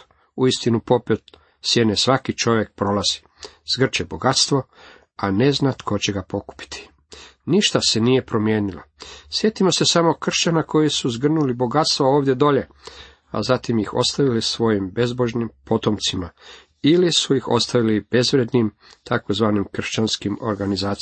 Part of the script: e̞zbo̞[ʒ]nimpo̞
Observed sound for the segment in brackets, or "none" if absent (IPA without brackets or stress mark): ʒ